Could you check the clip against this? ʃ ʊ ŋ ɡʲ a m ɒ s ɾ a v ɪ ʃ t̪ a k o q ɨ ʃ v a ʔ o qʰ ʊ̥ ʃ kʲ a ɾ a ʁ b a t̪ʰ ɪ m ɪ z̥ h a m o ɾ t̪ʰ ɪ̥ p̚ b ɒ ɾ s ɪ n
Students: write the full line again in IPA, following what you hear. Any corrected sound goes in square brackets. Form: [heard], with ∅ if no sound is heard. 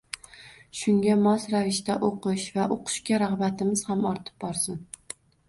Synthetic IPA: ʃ ʊ ŋ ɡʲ a m ɒ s ɾ a v ɪ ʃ t̪ a [ʔ] o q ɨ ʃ v a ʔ o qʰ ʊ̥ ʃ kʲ a ɾ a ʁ b a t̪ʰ ɪ m ɪ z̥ h a m [ɒ] ɾ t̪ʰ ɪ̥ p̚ b ɒ ɾ s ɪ n